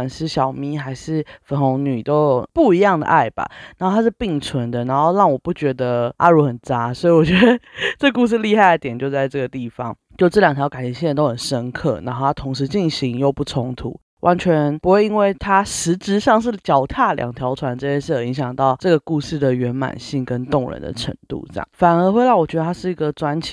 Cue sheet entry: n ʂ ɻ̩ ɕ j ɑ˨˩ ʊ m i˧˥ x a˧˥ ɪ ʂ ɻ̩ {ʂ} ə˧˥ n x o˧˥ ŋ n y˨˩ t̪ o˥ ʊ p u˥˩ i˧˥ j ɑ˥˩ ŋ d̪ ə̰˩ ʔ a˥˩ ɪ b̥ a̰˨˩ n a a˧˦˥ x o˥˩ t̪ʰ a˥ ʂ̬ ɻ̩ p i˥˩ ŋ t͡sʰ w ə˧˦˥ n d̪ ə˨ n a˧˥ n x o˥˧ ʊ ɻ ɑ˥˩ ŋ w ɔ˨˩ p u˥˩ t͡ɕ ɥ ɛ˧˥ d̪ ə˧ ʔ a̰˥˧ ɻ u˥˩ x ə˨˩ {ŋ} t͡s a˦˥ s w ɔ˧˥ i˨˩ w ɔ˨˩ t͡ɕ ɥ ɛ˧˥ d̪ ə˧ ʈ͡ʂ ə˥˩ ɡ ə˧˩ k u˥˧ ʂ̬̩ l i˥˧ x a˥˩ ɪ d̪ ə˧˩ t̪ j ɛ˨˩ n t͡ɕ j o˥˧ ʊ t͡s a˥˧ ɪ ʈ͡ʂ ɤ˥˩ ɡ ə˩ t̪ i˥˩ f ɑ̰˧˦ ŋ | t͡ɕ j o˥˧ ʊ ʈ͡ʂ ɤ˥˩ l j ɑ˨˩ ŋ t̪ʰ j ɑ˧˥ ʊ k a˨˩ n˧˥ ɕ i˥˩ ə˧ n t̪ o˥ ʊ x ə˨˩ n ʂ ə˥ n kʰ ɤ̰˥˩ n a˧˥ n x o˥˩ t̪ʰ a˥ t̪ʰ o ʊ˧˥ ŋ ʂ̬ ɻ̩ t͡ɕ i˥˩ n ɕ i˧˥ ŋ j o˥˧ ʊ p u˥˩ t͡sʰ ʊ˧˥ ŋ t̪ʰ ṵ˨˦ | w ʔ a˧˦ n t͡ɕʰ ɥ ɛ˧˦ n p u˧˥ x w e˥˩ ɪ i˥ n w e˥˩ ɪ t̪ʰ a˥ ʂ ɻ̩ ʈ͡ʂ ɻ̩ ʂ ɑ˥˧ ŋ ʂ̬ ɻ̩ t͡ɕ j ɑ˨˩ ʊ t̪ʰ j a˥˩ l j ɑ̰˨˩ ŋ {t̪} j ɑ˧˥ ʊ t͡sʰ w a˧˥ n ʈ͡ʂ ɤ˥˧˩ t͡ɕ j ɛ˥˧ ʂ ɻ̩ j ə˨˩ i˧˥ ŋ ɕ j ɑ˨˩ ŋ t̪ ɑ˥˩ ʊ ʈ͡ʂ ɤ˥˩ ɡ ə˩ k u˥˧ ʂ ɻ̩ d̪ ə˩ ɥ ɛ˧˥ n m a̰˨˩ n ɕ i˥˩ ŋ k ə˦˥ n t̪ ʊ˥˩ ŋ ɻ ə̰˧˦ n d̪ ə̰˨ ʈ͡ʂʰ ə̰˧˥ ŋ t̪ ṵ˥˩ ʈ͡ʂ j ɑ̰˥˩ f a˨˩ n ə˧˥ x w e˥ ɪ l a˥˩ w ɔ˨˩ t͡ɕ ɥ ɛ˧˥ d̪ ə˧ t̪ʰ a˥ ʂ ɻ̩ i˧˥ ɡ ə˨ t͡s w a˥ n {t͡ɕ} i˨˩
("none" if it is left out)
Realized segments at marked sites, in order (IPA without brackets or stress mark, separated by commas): f, n, t̪ʰ, t͡ɕʰ